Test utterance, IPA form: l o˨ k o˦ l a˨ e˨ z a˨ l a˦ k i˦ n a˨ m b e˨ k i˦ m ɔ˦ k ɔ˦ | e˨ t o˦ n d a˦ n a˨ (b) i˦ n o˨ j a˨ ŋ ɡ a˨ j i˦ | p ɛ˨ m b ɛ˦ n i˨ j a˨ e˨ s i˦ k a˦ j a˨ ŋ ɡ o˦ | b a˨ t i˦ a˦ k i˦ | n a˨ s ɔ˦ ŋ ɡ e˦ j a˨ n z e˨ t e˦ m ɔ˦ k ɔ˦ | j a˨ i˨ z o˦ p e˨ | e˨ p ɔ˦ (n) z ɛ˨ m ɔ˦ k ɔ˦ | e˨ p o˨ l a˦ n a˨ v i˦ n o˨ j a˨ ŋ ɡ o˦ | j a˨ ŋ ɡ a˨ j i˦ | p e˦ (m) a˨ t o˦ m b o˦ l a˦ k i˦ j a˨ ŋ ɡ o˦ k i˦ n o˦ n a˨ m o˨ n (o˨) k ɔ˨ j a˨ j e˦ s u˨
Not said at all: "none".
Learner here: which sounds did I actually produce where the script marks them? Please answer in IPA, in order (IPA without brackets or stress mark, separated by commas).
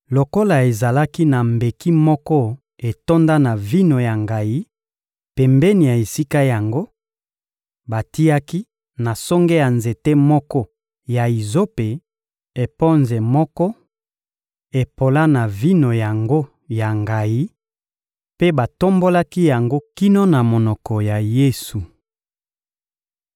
v, n, b, ɔ˨